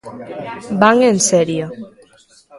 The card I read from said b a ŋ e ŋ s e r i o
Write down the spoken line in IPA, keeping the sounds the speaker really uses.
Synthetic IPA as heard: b a ŋ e n s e ɾ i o